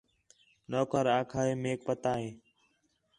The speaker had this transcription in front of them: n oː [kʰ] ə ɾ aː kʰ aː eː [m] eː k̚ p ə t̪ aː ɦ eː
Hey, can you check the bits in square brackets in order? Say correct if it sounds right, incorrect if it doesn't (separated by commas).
incorrect, correct